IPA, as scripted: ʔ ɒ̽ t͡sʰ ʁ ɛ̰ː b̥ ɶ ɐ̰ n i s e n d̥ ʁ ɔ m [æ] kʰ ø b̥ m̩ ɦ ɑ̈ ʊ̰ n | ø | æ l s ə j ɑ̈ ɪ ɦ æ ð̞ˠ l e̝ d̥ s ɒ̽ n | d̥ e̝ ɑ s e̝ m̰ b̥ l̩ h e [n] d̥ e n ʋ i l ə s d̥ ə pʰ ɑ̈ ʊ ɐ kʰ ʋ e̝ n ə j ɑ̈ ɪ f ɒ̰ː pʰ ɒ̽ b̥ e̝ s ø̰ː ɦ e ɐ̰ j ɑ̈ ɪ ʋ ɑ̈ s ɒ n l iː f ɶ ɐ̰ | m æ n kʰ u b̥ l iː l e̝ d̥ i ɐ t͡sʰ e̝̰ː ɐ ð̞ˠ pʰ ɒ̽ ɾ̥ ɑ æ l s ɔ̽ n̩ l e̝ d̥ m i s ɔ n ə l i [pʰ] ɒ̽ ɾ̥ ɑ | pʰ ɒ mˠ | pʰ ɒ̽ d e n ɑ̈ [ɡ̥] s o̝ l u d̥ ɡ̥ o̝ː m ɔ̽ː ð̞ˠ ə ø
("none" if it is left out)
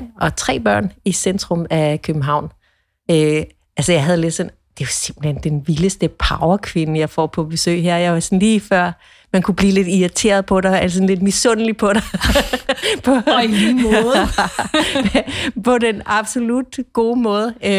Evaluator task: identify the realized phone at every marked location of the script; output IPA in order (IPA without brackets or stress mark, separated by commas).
æ, n, pʰ, b̥